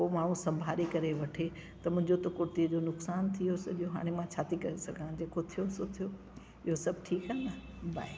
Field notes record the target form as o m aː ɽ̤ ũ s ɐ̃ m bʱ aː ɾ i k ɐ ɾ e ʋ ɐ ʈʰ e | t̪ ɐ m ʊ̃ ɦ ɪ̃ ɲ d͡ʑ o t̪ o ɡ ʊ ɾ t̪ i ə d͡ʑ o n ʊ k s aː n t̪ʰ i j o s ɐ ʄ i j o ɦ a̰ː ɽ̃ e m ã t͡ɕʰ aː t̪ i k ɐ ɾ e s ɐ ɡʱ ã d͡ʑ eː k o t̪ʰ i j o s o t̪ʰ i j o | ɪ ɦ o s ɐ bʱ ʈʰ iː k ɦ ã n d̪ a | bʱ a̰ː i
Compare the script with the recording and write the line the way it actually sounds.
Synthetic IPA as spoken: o m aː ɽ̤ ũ s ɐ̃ m bʱ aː ɾ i k ɐ ɾ e ʋ ɐ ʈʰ e | t̪ ɐ m ʊ̃ ɦ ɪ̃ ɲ d͡ʑ o t̪ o k ʊ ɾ t̪ i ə d͡ʑ o n ʊ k s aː n t̪ʰ i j o s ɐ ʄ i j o ɦ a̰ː ɽ̃ e m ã t͡ɕʰ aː t̪ i k ɐ ɾ e s ɐ ɡʱ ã d͡ʑ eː k o t̪ʰ i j o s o t̪ʰ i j o | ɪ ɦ o s ɐ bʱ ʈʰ iː k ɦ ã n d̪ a | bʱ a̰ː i